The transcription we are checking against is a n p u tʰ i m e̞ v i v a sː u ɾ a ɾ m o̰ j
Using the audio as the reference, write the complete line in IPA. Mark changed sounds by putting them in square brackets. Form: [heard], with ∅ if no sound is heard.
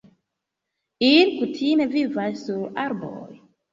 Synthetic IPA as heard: [i] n [k] u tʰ i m e̞ v i v a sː u ɾ a ɾ [b] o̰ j